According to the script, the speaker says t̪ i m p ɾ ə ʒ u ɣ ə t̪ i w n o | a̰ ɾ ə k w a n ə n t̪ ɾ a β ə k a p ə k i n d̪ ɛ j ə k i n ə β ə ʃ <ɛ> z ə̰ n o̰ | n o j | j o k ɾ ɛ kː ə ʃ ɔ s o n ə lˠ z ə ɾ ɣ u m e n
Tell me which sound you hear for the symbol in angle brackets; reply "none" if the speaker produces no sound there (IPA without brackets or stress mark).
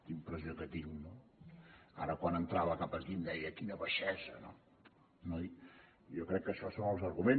ɛ